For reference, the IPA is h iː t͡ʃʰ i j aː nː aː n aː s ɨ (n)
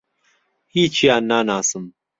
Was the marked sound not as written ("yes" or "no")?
yes